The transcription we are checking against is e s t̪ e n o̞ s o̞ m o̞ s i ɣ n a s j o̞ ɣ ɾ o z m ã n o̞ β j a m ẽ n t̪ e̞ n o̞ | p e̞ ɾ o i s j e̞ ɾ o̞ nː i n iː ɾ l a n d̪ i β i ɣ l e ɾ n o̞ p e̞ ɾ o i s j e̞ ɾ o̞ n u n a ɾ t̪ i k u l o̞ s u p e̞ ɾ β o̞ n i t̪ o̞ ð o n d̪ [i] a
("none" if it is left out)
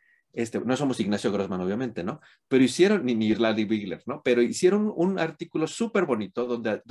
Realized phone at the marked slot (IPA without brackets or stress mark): e